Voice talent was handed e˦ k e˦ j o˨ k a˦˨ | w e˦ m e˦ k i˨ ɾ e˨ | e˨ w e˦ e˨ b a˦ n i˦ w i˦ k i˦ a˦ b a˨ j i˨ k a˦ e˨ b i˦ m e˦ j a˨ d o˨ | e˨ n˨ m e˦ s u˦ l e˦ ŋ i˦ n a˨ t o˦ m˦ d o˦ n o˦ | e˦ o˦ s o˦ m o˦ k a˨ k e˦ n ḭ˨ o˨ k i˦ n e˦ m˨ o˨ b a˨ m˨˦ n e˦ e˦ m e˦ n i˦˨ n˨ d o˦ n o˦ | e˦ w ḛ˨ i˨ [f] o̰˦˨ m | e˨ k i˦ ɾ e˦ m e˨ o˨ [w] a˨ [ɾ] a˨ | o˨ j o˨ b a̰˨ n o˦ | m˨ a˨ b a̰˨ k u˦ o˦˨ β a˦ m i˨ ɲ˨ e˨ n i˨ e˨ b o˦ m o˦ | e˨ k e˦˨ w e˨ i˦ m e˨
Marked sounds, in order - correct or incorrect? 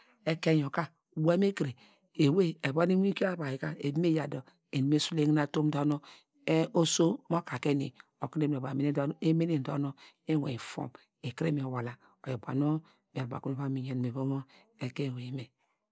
correct, correct, incorrect

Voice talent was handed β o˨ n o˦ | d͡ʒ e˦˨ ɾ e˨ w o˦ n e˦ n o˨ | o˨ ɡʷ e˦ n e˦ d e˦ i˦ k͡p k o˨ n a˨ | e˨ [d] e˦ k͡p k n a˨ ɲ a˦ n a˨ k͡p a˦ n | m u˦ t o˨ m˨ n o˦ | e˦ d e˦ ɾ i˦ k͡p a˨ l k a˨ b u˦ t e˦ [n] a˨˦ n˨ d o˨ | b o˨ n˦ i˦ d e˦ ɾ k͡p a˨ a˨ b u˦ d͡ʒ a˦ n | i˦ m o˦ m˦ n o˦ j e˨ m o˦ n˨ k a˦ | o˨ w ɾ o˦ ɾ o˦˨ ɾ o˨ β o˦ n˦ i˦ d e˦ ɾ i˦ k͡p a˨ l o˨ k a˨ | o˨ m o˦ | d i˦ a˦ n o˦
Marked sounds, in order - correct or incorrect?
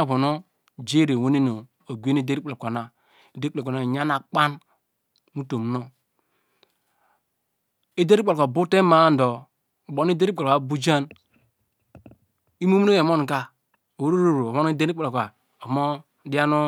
correct, incorrect

